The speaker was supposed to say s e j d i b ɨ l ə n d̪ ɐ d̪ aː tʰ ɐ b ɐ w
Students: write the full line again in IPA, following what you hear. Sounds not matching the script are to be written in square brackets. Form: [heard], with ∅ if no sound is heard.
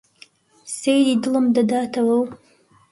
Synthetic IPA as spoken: s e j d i [d] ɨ l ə [m] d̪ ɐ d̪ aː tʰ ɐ [w] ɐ w